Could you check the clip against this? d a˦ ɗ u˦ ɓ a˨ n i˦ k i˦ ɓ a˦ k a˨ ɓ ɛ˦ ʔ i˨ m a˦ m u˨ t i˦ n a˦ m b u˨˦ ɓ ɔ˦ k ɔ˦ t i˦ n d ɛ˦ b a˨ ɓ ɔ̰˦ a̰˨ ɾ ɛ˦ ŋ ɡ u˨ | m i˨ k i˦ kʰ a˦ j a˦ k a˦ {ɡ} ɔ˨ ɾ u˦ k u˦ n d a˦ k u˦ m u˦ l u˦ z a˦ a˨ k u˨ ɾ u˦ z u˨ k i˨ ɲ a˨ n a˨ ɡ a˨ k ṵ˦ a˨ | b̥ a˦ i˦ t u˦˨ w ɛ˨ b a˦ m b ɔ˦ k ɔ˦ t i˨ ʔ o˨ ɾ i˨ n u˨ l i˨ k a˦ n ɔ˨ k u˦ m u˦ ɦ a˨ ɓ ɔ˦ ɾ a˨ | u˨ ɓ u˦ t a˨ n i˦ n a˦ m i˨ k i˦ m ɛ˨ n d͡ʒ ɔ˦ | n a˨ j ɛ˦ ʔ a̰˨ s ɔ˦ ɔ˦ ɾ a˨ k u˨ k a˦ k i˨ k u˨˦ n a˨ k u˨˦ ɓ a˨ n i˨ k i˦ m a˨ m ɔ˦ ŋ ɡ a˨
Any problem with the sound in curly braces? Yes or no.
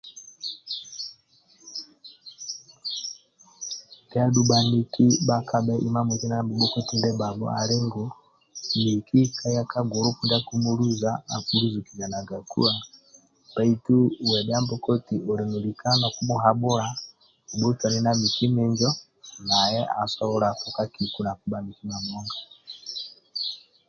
no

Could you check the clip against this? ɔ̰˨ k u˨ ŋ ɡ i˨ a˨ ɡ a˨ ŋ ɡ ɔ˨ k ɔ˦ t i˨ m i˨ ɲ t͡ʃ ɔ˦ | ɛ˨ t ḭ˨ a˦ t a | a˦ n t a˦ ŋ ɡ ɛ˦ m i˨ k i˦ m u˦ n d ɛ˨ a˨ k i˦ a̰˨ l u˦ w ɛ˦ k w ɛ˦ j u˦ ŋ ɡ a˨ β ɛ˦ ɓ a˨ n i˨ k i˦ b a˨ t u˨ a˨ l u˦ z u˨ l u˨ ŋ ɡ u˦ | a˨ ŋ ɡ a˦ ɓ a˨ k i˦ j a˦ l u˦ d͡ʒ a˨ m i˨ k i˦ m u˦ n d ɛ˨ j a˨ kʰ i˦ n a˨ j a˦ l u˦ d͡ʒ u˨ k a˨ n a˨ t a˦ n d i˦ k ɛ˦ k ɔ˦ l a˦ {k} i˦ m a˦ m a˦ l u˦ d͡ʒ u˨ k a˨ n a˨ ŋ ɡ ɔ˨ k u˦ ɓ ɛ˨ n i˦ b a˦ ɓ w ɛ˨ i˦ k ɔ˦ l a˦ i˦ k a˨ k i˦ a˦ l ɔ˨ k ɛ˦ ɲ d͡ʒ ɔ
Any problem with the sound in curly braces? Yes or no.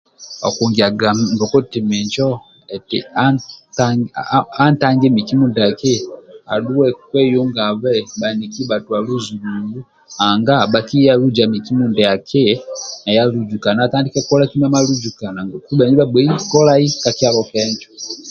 no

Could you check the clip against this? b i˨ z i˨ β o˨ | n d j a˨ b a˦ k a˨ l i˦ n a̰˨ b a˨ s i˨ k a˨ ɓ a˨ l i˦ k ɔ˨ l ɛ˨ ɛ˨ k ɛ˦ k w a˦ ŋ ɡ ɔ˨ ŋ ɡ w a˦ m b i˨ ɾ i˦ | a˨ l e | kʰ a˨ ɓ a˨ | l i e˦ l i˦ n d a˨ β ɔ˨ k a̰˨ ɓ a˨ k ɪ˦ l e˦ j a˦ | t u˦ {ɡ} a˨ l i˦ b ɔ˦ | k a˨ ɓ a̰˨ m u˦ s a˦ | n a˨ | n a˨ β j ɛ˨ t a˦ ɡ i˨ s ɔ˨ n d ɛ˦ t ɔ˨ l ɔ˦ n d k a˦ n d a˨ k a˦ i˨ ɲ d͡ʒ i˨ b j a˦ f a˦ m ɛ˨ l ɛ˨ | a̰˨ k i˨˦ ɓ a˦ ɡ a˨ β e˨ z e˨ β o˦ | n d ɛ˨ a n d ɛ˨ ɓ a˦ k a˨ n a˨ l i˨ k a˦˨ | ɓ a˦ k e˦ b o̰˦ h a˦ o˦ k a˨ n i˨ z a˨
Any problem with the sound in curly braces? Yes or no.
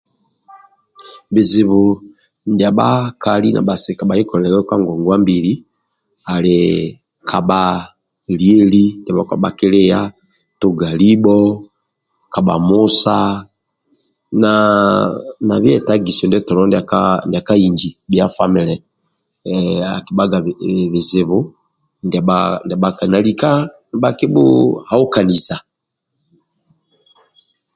no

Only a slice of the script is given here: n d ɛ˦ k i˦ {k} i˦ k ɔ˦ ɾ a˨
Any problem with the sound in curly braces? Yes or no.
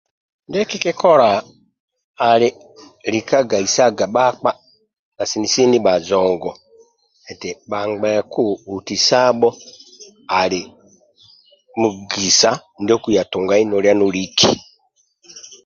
no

